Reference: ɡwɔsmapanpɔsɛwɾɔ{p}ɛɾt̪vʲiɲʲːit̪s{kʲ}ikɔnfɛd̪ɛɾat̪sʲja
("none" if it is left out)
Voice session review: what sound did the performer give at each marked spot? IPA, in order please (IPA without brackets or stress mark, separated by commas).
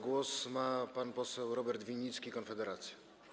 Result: b, kʲ